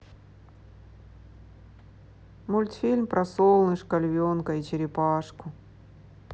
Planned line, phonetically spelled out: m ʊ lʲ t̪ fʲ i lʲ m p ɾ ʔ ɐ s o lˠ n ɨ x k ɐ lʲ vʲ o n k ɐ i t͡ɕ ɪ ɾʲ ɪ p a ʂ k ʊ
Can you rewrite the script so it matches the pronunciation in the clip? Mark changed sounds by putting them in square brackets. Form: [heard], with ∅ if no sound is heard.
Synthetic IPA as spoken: m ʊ lʲ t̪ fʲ i lʲ m p ɾ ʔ ɐ s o lˠ n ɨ [ʂ] k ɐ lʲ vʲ o n k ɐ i t͡ɕ ɪ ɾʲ ɪ p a ʂ k ʊ

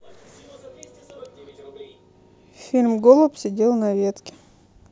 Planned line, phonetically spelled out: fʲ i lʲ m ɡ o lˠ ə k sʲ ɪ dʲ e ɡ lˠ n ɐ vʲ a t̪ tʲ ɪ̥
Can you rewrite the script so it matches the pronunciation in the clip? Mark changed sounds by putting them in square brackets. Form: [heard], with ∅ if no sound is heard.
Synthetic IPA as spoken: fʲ i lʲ m ɡ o lˠ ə [p] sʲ ɪ dʲ e [∅] lˠ n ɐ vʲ [e] t̪ [kʲ] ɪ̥

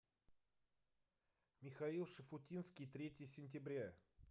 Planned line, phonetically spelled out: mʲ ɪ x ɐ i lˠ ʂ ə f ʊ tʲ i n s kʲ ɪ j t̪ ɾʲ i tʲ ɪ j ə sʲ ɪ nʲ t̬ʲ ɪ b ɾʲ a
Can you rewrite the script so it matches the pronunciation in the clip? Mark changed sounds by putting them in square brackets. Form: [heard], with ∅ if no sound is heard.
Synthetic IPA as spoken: mʲ ɪ x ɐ i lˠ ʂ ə f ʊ tʲ i n s kʲ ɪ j t̪ ɾʲ [e] tʲ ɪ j ə sʲ ɪ nʲ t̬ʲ ɪ b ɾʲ a

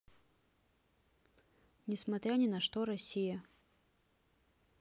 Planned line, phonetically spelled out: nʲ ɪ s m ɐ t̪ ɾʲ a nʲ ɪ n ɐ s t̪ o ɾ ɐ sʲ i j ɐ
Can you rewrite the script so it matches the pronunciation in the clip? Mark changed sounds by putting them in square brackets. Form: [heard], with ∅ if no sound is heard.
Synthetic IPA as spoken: nʲ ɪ s m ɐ t̪ ɾʲ a nʲ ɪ n ɐ [ʂ] t̪ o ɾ ɐ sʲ i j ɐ

